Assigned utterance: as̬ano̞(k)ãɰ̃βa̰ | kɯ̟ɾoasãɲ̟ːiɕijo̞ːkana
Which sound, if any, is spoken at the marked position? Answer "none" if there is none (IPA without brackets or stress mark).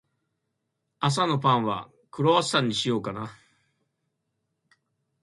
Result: p